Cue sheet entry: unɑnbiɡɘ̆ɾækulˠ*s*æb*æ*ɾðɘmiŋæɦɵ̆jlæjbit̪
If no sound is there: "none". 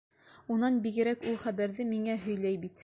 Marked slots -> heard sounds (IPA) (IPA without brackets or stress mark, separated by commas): χ, æ